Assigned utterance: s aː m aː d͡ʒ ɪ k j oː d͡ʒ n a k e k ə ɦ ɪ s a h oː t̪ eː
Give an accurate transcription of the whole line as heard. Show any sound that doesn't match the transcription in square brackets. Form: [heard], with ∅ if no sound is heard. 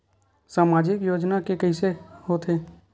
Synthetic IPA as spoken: s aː m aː d͡ʒ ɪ k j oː d͡ʒ n a k e k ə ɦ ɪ s [e] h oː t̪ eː